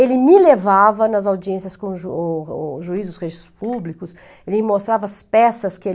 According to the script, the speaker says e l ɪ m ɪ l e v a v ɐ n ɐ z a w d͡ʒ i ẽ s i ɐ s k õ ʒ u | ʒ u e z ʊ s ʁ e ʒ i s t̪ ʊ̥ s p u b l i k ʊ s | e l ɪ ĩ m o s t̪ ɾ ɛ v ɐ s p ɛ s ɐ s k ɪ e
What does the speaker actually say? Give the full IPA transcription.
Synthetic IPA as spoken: e l ɪ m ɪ l e v a v ɐ n ɐ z a w d͡ʒ i ẽ s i ɐ s k õ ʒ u | ʒ u i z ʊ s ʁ e ʒ i s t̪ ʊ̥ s p u b l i k ʊ s | e l ɪ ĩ m o s t̪ ɾ a v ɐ s p ɛ s ɐ s k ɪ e